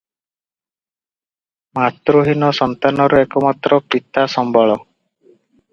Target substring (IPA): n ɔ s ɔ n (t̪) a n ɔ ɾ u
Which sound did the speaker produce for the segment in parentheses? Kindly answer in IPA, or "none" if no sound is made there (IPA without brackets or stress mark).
t̪